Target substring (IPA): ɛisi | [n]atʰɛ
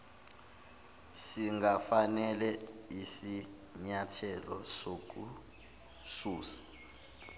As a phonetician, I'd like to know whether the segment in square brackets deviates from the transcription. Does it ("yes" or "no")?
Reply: yes